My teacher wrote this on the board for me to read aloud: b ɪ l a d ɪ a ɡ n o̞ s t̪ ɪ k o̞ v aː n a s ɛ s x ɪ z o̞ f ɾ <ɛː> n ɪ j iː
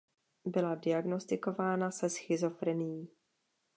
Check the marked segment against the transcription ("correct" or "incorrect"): incorrect